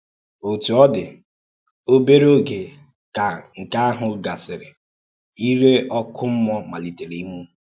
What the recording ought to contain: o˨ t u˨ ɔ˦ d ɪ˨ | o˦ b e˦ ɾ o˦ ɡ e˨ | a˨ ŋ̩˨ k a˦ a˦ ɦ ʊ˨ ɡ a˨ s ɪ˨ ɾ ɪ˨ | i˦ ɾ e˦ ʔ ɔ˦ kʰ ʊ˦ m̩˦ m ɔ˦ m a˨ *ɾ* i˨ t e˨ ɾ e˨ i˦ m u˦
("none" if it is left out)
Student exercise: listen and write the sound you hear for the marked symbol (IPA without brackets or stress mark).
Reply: l